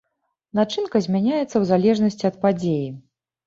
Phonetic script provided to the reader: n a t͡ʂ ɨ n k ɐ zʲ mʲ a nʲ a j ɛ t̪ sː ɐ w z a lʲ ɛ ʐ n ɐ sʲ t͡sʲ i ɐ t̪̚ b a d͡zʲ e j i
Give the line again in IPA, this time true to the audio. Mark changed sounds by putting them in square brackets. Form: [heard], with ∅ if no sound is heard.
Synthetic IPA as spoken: n a t͡ʂ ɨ n k ɐ zʲ mʲ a nʲ a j ɛ t̪ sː ɐ w z a lʲ ɛ ʐ n ɐ sʲ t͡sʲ i ɐ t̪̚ [p] a d͡zʲ e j i